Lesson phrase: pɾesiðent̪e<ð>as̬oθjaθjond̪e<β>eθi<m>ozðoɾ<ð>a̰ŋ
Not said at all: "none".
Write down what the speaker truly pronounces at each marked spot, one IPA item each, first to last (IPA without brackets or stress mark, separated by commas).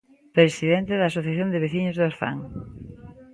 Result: ð, β, ɲ, θ